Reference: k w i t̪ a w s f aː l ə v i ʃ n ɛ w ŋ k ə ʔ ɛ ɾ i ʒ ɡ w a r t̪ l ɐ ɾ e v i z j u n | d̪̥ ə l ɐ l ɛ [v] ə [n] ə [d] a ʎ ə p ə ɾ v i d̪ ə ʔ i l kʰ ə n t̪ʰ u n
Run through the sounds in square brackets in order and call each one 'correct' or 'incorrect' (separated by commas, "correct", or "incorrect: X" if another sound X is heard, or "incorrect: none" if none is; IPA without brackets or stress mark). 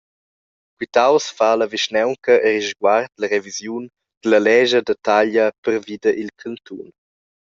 incorrect: ʒ, incorrect: d, incorrect: t